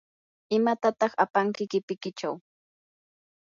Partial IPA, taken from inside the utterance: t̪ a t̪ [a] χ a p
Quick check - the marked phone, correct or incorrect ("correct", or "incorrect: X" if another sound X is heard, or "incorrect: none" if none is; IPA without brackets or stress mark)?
incorrect: ɑ